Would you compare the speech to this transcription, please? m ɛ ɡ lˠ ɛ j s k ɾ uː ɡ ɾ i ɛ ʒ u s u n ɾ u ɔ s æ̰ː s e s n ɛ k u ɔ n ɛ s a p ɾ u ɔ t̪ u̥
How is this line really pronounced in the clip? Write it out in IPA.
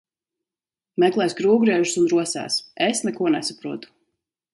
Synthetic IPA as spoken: m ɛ k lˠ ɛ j s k ɾ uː ɡ ɾ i ɛ ʒ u s u n ɾ u ɔ s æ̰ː s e s n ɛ k u ɔ n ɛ s a p ɾ u ɔ t̪ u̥